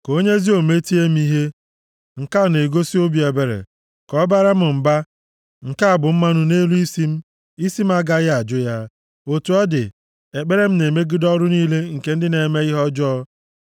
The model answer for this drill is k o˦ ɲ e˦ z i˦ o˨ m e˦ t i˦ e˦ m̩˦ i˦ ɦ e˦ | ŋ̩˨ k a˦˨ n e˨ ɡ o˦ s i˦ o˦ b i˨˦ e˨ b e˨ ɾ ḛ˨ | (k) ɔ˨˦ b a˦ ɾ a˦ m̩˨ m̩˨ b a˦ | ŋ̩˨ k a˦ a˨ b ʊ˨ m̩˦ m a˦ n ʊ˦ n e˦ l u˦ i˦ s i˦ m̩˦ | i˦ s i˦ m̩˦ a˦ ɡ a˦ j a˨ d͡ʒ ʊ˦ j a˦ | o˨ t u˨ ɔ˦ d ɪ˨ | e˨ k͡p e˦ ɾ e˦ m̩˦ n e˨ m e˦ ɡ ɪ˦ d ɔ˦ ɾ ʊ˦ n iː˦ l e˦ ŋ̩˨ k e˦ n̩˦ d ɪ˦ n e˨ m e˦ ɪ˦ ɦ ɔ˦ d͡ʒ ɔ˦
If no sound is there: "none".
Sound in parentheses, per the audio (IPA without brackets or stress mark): k